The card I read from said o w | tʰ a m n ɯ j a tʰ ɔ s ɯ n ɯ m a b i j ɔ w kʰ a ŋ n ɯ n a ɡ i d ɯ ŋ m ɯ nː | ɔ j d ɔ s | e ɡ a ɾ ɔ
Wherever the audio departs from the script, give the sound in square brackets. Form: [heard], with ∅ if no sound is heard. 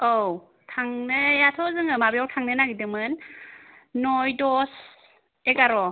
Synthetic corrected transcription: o w | tʰ a [ŋ] n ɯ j a tʰ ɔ [z] ɯ [ŋ] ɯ m a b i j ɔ w [tʰ] a ŋ n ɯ n a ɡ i d ɯ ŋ m ɯ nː | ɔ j d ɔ s | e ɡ a ɾ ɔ